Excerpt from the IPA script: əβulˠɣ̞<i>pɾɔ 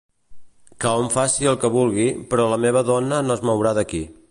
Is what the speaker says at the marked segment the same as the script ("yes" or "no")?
yes